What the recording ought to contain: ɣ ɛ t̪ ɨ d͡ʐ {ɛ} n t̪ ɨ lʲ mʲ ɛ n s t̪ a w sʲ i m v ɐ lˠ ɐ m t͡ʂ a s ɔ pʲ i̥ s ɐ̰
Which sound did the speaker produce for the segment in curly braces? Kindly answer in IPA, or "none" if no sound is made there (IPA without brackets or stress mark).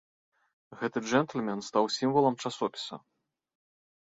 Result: ɛ